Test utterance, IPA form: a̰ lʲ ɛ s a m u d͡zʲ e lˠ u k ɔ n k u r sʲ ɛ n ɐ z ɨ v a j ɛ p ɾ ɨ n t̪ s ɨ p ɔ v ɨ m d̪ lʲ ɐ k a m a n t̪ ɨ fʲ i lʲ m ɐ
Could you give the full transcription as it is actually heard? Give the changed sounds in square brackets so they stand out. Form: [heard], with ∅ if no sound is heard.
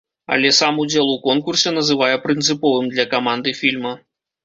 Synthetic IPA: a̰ lʲ ɛ s a m u d͡zʲ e lˠ u k ɔ n k u r sʲ ɛ n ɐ z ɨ v a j ɛ p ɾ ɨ n t̪ s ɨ p ɔ v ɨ m d̪ lʲ ɐ k a m a n [d̪] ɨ fʲ i lʲ m ɐ

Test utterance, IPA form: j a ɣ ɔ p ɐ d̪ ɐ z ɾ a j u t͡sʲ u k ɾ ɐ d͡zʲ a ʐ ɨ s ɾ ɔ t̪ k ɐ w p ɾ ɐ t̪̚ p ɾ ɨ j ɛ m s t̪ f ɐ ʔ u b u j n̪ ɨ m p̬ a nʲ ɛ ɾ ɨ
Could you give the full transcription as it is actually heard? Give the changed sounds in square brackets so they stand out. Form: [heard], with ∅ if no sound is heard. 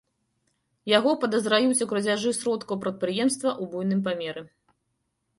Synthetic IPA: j a ɣ ɔ p ɐ d̪ ɐ z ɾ a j u t͡sʲ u k ɾ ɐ d͡zʲ a ʐ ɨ s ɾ ɔ t̪ k ɐ w p ɾ ɐ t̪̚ p ɾ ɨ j ɛ m s t̪ [v] ɐ ʔ u b u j n̪ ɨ m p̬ a [mʲ] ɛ ɾ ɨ

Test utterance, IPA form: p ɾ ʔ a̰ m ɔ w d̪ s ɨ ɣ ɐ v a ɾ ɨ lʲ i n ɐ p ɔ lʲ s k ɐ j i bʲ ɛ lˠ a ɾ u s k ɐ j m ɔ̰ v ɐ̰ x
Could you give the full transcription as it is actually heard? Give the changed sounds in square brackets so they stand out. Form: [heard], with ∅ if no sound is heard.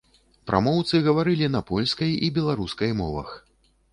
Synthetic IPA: p ɾ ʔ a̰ m ɔ w [t̪] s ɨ ɣ ɐ v a ɾ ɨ lʲ i n ɐ p ɔ lʲ s k ɐ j i bʲ ɛ lˠ a ɾ u s k ɐ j m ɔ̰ v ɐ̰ x

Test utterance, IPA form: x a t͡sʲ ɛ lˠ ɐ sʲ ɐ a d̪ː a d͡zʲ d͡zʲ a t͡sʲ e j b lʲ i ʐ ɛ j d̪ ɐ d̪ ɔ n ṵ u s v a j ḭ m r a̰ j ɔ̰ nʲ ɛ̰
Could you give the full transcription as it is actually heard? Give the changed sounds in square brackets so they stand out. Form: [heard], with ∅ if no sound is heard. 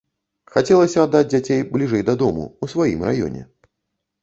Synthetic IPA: x a t͡sʲ ɛ lˠ ɐ sʲ ɐ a d̪ː a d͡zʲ d͡zʲ a t͡sʲ e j b lʲ i ʐ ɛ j d̪ ɐ d̪ ɔ [m] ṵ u s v a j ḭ m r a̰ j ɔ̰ nʲ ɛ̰

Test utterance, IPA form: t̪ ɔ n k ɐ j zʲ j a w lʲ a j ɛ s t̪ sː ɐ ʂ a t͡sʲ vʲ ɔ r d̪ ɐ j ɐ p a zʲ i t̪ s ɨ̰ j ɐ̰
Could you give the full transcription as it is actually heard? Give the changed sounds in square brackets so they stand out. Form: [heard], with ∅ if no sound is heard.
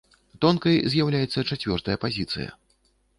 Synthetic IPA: t̪ ɔ n k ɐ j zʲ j a w lʲ a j ɛ [∅] t̪ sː ɐ [t͡ʂ] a t͡sʲ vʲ ɔ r [t̪] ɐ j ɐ p a zʲ i t̪ s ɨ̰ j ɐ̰

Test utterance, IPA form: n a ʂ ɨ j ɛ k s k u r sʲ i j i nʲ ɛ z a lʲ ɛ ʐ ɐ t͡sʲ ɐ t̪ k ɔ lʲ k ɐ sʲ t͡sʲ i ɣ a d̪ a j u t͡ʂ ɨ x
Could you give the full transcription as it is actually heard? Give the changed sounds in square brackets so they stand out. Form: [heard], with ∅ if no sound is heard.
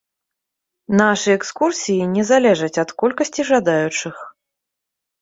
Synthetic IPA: n a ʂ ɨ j ɛ k s k u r sʲ i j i nʲ ɛ z a lʲ ɛ ʐ ɐ t͡sʲ ɐ t̪ k ɔ lʲ k ɐ sʲ t͡sʲ i [ʐ] a d̪ a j u t͡ʂ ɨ x

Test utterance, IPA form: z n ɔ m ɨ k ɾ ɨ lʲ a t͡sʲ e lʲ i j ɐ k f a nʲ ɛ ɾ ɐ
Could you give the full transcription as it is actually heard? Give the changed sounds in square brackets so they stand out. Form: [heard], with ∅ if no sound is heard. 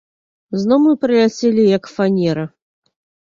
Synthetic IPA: z n ɔ m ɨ [p] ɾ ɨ lʲ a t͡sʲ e lʲ i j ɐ k f a nʲ ɛ ɾ ɐ

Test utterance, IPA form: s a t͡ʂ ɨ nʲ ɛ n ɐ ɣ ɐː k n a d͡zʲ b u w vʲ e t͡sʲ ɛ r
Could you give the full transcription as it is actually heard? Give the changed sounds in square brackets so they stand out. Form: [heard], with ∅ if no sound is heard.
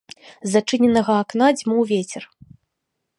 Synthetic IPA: [z] a t͡ʂ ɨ nʲ ɛ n ɐ ɣ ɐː k n a d͡zʲ [m] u w vʲ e t͡sʲ ɛ r

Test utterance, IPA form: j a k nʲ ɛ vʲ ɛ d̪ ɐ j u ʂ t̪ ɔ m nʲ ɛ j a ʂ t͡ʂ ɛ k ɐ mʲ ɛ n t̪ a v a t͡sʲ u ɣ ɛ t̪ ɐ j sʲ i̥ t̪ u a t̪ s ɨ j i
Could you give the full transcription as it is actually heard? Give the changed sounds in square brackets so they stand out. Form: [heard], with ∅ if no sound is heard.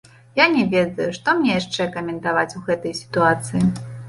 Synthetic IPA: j a [∅] nʲ ɛ vʲ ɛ d̪ ɐ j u ʂ t̪ ɔ m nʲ ɛ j a ʂ t͡ʂ ɛ k ɐ mʲ ɛ n t̪ a v a t͡sʲ u ɣ ɛ t̪ ɐ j sʲ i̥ t̪ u a t̪ s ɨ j i

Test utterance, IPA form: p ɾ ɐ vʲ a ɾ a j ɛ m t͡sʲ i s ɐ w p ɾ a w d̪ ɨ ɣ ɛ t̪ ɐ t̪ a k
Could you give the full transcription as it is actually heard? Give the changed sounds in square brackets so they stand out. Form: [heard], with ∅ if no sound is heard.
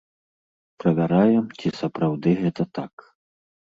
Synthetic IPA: p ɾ ɐ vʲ a ɾ a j ɛ m t͡sʲ i s ɐ [∅] p ɾ a w d̪ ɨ ɣ ɛ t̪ ɐ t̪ a k

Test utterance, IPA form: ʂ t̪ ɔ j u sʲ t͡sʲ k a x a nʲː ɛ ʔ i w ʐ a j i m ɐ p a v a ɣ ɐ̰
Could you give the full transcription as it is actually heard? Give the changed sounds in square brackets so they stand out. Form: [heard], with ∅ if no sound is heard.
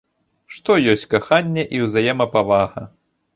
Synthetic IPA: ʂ t̪ ɔ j [ɔ] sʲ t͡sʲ k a x a nʲː ɛ ʔ i w [z] a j [ɛ] m ɐ p a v a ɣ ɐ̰

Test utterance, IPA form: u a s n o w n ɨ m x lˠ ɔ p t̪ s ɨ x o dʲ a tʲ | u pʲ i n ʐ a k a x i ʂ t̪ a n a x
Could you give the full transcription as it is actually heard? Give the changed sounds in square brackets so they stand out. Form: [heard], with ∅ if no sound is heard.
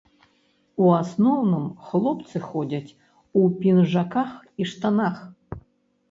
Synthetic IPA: u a s n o w n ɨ m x lˠ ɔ p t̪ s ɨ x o dʲ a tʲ | u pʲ i n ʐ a k a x i ʂ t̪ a n a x

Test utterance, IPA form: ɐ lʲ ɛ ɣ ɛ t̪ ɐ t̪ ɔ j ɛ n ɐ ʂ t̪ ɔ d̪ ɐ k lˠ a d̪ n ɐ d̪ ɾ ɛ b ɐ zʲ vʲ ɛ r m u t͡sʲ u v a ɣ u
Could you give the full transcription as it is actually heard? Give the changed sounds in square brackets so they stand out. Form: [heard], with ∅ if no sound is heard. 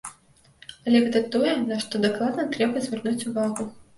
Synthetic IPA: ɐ lʲ ɛ ɣ ɛ t̪ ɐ t̪ ɔ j ɛ n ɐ ʂ t̪ ɔ d̪ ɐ k lˠ a d̪ n ɐ [t̪] ɾ ɛ b ɐ zʲ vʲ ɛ r [n] u t͡sʲ u v a ɣ u

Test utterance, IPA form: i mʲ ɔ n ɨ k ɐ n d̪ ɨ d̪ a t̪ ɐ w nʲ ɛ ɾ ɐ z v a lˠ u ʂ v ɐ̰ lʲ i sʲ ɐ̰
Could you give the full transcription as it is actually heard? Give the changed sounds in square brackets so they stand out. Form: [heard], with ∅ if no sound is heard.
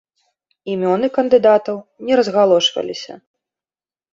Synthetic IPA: i mʲ ɔ n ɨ k ɐ n d̪ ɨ d̪ a t̪ ɐ w nʲ ɛ ɾ ɐ z [ɣ] a lˠ [ɔ] ʂ v ɐ̰ lʲ i sʲ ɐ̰

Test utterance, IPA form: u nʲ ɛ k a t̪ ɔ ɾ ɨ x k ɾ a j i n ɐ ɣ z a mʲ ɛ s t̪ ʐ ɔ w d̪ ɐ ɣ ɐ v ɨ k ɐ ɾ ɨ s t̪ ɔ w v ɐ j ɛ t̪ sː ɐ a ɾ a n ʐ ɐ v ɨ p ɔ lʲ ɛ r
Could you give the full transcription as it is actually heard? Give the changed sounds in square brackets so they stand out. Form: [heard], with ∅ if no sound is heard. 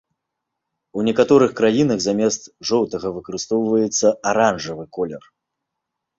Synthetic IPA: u nʲ ɛ k a t̪ ɔ ɾ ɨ x k ɾ a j i n ɐ ɣ z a mʲ ɛ s t̪ ʐ ɔ w [t̪] ɐ ɣ ɐ v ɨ k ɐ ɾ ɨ s t̪ ɔ w v ɐ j ɛ t̪ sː ɐ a ɾ a n ʐ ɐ v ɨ [k] ɔ lʲ ɛ r

